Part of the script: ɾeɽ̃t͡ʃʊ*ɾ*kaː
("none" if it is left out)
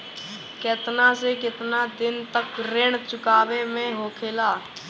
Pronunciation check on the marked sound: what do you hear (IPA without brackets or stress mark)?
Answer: none